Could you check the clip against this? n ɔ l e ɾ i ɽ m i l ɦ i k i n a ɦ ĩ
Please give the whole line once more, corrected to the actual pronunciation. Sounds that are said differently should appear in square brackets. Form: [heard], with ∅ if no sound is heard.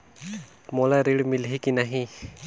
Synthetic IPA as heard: [m] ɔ l [a] ɾ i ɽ m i l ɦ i k i n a ɦ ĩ